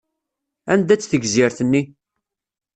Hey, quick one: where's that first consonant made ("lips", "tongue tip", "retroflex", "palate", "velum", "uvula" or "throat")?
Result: tongue tip